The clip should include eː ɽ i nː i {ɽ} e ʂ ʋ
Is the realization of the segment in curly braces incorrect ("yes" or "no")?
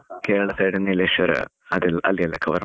yes